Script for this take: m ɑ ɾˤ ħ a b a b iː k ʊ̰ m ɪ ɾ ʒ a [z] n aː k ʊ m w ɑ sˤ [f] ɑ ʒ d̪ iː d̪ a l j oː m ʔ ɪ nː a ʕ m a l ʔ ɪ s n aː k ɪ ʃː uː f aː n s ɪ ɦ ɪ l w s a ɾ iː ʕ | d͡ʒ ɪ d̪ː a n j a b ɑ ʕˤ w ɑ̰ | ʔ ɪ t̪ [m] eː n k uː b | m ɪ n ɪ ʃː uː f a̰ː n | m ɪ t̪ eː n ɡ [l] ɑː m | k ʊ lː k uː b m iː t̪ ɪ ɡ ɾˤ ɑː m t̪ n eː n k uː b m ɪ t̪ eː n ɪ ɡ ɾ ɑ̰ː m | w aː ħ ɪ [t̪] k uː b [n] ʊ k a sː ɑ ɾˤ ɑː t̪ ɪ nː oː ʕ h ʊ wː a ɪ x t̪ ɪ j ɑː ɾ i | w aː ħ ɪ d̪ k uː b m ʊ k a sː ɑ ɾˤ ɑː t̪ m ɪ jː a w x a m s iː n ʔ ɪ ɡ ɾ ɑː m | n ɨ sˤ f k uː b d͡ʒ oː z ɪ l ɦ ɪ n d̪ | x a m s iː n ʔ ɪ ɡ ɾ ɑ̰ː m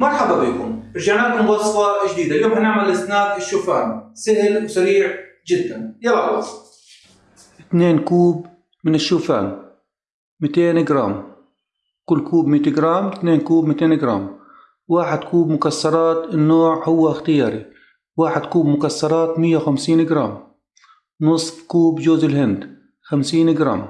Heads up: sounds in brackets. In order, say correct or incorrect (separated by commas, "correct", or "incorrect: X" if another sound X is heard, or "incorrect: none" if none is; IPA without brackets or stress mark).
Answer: incorrect: ʕ, correct, incorrect: n, incorrect: ɾ, incorrect: d̪, incorrect: m